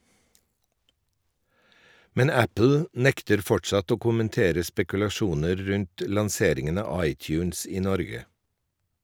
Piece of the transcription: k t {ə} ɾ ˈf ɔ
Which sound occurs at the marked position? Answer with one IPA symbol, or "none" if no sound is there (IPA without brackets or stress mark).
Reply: ə